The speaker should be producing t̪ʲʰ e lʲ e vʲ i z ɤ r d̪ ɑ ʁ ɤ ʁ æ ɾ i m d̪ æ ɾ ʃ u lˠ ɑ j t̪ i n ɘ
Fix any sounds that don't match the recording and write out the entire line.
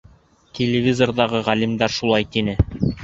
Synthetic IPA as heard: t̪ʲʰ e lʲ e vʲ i z o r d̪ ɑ ʁ ɤ ʁ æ l i m d̪ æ ɾ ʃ u lˠ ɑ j t̪ i n ɘ